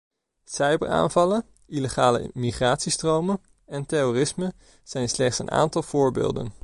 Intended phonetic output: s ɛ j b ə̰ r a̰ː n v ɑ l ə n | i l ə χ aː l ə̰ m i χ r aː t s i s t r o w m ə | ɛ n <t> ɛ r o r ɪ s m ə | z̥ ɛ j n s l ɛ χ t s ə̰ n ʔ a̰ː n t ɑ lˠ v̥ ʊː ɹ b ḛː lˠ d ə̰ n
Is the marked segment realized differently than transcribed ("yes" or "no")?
no